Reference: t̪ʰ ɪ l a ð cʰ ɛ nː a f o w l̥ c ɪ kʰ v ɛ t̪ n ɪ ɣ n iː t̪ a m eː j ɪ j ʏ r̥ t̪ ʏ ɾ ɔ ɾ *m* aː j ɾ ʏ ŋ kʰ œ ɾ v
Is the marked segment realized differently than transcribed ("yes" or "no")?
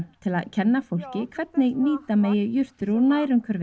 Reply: yes